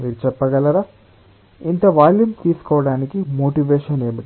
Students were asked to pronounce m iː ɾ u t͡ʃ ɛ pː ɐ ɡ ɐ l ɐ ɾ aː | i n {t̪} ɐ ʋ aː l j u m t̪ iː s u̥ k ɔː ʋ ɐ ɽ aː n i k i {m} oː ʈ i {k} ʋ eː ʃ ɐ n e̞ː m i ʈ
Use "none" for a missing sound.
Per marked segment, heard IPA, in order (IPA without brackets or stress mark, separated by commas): t̪, m, none